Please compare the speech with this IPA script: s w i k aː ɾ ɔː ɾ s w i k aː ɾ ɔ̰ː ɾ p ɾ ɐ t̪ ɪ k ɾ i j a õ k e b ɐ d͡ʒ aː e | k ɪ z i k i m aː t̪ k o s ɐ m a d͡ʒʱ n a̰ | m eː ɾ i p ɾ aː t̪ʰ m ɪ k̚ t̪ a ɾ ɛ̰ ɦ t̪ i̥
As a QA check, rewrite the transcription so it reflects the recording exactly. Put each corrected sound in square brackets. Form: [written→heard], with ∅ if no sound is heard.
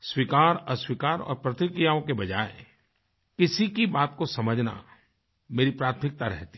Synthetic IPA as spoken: s w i k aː ɾ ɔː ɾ s w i k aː ɾ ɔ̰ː ɾ p ɾ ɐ t̪ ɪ k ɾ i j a õ k e b ɐ d͡ʒ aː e | k ɪ [z→s] i k i [m→b] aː t̪ k o s ɐ m [a→ə] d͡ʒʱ n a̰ | m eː ɾ i p ɾ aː t̪ʰ m ɪ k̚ t̪ a ɾ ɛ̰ ɦ t̪ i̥

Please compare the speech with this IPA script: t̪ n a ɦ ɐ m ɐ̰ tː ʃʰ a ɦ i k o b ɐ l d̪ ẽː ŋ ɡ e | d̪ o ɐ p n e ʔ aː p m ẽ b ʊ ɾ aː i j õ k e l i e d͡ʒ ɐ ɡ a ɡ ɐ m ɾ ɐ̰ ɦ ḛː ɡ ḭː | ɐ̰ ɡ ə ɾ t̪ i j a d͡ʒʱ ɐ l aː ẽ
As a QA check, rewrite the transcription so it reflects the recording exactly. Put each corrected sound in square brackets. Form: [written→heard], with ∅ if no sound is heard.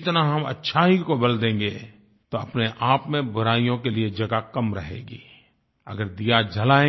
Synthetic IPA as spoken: t̪ n a ɦ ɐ m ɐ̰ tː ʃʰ a ɦ i k o b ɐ l d̪ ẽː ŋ ɡ e | [d̪→t̪] o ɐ p n e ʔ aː p m ẽ b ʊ ɾ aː i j õ k e l i e d͡ʒ ɐ ɡ a [ɡ→k] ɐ m ɾ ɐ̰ ɦ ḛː ɡ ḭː | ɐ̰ ɡ ə ɾ [t̪→d̪] i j a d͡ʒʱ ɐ l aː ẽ

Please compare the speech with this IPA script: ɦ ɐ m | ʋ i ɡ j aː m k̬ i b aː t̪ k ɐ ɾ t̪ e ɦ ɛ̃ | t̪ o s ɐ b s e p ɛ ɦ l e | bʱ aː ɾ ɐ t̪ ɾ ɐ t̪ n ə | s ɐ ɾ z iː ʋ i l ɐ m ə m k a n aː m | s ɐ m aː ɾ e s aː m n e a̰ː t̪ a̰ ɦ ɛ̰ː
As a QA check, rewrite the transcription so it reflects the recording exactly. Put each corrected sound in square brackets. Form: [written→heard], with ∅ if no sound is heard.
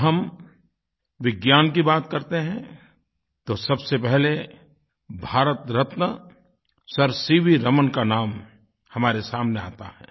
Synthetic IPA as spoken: ɦ ɐ m | ʋ [i→ɪ] ɡ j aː [m→n] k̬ i b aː t̪ k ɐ ɾ t̪ e ɦ ɛ̃ | t̪ o s ɐ b s e p ɛ ɦ l e | bʱ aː ɾ [ɐ→ə] t̪ ɾ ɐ t̪ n ə | s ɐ ɾ [z→s] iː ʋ i [l→ɾ] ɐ m ə [m→n] k a n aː m | [s→h] ɐ m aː ɾ e s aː m n e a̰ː t̪ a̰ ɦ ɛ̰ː

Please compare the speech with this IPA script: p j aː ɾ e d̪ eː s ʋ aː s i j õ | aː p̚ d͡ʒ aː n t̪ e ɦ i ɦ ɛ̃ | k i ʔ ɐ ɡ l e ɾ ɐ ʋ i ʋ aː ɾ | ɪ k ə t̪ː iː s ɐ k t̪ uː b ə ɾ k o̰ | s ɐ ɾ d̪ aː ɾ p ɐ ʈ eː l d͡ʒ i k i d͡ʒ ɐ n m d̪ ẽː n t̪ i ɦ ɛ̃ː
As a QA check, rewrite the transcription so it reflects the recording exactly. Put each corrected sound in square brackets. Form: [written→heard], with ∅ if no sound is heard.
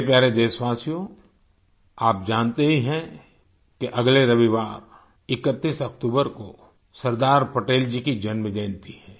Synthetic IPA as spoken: p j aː ɾ e d̪ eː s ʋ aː s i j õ | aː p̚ d͡ʒ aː n t̪ e ɦ i ɦ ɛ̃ | k [i→e] ʔ ɐ ɡ l e ɾ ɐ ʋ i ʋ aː ɾ | ɪ k ə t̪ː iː s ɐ k t̪ uː b ə ɾ k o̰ | s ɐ ɾ d̪ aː ɾ p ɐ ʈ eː l d͡ʒ i k i d͡ʒ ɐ n m d̪ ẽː n t̪ i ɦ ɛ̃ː

